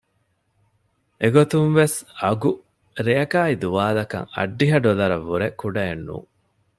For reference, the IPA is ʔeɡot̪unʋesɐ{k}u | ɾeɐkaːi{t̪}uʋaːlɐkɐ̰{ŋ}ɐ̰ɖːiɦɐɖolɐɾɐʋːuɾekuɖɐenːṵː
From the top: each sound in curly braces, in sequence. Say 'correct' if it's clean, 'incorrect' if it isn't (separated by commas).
incorrect, incorrect, correct